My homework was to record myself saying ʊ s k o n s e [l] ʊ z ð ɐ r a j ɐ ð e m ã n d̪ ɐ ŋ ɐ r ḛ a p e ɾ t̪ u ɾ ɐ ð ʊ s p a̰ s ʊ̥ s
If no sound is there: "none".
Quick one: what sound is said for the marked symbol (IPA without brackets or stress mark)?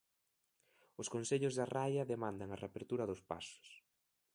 ʎ